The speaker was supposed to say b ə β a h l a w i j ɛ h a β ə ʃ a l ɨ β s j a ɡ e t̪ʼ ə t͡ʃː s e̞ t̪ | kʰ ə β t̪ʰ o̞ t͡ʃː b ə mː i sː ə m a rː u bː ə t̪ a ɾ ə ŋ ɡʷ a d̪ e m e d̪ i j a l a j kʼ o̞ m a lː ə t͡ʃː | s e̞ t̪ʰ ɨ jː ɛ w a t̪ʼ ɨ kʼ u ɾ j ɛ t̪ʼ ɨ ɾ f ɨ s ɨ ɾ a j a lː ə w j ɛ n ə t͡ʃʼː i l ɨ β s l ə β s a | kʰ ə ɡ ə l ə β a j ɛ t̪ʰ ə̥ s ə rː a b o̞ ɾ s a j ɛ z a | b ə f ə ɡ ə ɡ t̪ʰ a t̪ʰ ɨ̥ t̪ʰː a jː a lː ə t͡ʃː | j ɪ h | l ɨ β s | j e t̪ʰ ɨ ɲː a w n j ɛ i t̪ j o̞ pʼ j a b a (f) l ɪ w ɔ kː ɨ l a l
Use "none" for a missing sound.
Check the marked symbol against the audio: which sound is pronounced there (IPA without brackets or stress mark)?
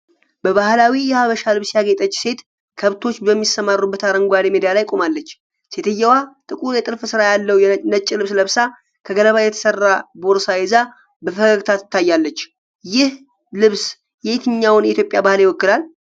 h